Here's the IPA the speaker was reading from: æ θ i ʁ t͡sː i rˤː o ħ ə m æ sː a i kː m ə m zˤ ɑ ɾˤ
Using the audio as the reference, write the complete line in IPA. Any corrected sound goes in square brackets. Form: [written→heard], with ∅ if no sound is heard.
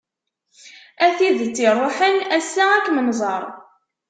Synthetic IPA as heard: æ θ i [ʁ→ð] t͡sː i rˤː o ħ ə [m→n] æ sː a [i→æ] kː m ə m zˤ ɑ ɾˤ